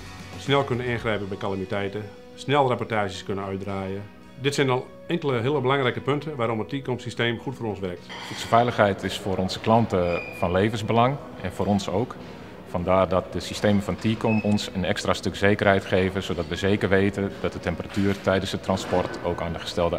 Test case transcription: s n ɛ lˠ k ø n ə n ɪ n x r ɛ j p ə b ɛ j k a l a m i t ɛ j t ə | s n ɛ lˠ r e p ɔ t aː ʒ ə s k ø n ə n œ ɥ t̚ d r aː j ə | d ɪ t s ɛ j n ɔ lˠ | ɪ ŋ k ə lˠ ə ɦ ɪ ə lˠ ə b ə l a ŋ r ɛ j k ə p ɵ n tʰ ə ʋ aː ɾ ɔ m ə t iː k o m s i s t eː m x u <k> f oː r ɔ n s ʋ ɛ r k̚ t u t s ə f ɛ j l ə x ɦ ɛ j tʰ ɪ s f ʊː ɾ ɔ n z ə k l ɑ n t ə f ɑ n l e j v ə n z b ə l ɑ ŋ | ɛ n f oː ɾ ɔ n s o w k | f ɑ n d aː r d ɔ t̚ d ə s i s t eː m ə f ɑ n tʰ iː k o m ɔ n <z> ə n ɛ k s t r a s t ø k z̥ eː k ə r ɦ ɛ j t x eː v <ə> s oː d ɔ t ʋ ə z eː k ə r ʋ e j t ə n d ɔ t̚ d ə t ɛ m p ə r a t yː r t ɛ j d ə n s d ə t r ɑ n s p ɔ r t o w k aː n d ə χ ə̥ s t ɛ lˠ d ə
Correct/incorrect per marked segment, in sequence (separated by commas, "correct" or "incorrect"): incorrect, incorrect, correct